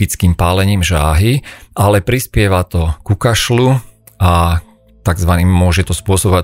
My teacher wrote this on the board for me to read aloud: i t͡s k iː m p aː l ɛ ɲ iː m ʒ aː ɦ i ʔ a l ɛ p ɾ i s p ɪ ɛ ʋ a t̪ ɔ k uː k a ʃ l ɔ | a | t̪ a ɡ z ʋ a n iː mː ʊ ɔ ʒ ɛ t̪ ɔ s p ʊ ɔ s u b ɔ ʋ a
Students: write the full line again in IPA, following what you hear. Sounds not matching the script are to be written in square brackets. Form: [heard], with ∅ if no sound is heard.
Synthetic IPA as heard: i t͡s k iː m p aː l ɛ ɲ iː m ʒ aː ɦ i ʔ a l ɛ p ɾ i s p ɪ ɛ ʋ a t̪ ɔ k [u] k a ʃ l [u] | a | t̪ a ɡ z ʋ a n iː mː ʊ ɔ ʒ ɛ t̪ ɔ s p ʊ ɔ s [ɔ] b ɔ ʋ a